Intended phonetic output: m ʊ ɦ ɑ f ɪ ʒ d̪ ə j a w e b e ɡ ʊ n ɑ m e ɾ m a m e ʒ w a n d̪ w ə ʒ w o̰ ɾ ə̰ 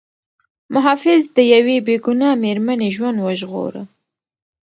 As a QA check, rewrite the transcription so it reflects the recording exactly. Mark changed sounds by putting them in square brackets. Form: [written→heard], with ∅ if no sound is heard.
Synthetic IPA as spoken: m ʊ ɦ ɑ f ɪ [ʒ→z] d̪ ə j a w e b e ɡ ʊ n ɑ m e ɾ m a [m→n] e ʒ w a n d̪ w ə ʒ [w→ɣ] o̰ ɾ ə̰